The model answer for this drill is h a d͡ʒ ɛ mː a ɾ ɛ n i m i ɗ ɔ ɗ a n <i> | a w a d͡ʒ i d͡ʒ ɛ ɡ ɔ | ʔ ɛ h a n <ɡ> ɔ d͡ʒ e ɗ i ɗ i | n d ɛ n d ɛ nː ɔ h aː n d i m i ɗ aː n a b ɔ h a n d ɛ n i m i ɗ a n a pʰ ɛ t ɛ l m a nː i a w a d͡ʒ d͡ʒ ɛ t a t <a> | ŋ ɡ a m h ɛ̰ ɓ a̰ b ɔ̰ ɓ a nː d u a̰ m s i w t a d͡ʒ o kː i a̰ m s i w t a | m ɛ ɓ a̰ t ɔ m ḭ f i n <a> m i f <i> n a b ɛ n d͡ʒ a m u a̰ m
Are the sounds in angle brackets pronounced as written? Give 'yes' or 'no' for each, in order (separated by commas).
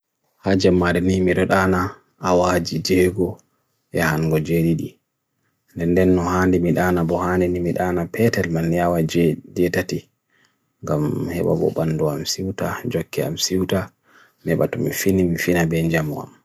no, yes, no, no, yes